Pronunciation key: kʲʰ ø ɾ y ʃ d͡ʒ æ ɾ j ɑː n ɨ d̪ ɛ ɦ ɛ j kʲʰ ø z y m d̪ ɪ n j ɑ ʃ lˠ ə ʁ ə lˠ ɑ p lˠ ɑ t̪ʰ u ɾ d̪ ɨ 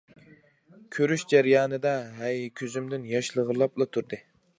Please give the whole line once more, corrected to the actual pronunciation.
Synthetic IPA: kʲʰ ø ɾ y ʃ d͡ʒ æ ɾ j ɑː n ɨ d̪ ɛ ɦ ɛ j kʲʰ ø z y m d̪ ɪ n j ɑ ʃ lˠ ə ʁ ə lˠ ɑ p lˠ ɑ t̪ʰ u ɾ d̪ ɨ